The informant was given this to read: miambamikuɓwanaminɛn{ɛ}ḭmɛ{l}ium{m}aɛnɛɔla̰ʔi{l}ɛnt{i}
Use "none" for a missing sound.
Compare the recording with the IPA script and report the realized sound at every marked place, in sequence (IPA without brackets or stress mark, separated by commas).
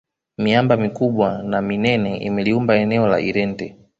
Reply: ɛ, l, b, ɾ, ɛ